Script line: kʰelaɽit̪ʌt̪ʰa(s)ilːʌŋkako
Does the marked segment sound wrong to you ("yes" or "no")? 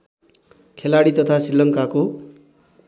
no